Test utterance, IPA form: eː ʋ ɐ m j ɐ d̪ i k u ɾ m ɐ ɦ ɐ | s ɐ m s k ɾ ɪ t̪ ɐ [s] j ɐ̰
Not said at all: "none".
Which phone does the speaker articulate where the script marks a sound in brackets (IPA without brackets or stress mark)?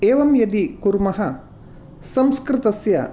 s